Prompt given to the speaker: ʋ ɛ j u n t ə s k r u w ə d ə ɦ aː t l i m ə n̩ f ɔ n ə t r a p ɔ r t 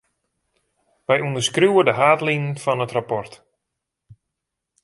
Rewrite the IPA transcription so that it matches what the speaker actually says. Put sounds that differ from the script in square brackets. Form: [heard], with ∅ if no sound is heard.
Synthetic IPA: ʋ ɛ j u n [d] ə s k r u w ə d ə ɦ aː t l i [n] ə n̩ f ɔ n ə t r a p ɔ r t